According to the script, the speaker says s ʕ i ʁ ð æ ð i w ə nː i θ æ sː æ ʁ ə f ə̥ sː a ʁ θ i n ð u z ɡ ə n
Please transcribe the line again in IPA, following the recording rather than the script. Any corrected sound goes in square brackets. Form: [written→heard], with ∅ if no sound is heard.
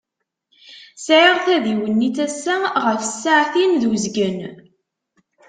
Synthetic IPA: s ʕ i ʁ [ð→θ] æ ð i w ə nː i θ æ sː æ ʁ ə f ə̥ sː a [ʁ→ʕ] θ i n ð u z ɡ ə n